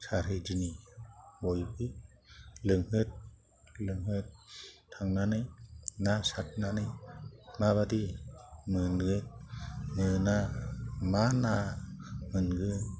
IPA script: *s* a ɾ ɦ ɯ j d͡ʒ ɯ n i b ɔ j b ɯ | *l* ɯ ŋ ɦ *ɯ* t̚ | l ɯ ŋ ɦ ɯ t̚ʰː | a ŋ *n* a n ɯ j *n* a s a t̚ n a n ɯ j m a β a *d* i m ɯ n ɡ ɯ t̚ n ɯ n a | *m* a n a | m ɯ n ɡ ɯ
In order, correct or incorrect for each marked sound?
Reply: correct, correct, correct, correct, correct, correct, correct

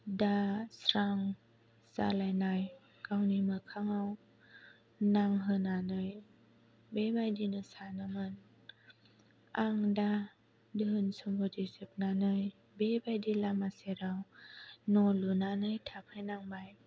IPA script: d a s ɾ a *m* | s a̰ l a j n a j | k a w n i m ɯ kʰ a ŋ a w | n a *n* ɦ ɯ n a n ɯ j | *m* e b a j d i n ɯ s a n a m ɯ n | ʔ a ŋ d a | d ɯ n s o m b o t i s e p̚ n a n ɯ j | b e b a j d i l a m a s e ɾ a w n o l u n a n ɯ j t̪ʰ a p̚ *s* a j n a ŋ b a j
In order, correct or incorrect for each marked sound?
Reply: incorrect, incorrect, incorrect, incorrect

